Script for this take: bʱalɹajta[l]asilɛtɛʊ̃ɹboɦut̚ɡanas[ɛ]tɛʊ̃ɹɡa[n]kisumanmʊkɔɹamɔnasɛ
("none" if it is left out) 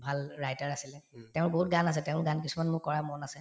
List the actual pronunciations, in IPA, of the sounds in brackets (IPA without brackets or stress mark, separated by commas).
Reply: ɹ, ɛ, n